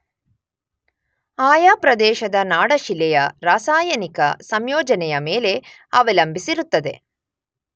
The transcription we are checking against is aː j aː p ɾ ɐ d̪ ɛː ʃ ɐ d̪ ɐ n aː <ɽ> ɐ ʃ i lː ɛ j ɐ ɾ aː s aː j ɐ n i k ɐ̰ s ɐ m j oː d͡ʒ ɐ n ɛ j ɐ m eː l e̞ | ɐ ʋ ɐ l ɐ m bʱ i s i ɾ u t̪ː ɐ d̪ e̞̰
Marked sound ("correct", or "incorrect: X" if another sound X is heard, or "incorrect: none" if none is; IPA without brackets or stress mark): correct